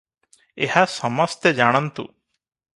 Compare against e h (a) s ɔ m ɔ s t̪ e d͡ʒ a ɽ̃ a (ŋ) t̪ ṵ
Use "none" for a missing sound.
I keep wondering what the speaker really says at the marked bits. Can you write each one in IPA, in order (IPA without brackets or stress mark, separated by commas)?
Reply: a, n